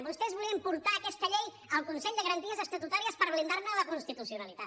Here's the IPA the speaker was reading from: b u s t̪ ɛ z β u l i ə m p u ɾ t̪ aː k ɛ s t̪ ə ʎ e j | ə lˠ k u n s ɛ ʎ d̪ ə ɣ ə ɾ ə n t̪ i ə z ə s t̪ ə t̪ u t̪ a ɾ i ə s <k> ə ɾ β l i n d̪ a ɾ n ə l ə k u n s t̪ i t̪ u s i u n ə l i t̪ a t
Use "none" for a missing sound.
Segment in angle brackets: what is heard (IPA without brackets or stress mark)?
p